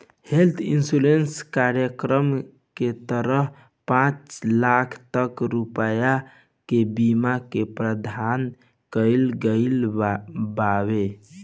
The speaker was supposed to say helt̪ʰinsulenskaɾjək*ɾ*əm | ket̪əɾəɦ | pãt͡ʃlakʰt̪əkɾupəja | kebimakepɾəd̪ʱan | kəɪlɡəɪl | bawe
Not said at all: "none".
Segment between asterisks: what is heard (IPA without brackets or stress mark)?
ɾ